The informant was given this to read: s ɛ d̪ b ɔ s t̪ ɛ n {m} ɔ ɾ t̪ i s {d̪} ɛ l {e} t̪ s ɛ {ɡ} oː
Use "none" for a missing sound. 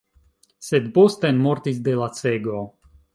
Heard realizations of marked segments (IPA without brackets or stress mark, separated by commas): m, d̪, a, ɡ